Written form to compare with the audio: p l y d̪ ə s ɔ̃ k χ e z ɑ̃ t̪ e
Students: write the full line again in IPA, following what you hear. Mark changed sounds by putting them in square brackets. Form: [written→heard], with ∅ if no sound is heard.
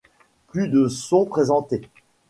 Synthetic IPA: p l y d̪ ə s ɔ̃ [k→p] χ e z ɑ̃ t̪ e